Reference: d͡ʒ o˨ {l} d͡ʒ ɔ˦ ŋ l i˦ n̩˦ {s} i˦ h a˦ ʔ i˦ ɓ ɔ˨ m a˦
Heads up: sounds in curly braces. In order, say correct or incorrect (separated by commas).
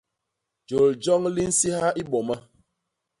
correct, correct